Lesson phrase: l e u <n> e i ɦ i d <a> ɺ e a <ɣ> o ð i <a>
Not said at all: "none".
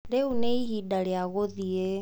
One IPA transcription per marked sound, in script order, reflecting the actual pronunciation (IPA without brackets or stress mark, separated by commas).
n, a, ɣ, e